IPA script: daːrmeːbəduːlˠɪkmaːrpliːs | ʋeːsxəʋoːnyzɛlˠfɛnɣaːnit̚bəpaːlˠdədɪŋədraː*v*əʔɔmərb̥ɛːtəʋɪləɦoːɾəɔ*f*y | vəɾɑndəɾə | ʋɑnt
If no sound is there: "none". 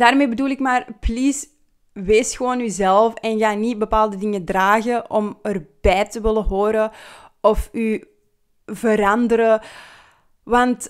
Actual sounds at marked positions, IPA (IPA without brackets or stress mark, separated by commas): ɣ, f